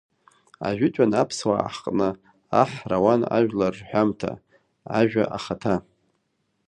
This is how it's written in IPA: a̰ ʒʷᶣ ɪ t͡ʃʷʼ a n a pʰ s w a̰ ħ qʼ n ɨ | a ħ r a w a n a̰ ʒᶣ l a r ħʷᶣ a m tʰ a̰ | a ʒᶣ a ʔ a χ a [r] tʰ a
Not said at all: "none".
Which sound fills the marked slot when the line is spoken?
none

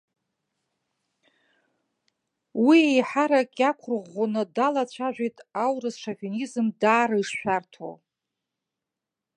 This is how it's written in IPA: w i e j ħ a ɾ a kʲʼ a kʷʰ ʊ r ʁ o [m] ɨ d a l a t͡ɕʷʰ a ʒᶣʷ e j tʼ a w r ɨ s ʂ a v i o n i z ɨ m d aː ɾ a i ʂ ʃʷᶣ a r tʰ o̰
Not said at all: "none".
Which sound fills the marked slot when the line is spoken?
n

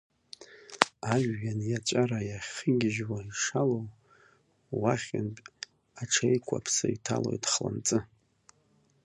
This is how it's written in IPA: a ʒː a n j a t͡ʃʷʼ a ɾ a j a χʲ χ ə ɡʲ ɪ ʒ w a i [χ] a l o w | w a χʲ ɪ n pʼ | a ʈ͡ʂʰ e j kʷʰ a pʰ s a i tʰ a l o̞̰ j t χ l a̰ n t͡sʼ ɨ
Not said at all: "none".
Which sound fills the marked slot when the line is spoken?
ʂ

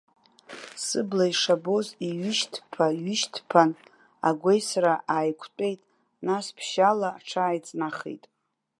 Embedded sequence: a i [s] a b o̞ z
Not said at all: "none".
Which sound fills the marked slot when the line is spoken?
ʂ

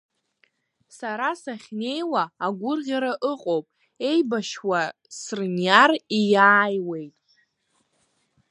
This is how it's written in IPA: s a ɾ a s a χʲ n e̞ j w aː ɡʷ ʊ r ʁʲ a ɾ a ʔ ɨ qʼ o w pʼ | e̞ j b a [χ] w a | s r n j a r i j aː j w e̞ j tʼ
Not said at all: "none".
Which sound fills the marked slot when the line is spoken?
ʃ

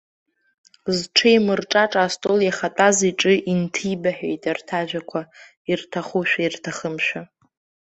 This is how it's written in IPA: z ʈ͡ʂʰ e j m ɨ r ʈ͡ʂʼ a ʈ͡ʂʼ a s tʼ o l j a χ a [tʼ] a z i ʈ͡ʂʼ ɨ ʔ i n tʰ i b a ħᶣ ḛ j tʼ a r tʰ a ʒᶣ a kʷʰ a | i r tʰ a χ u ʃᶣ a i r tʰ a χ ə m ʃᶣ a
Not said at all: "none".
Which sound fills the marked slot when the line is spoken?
tʼ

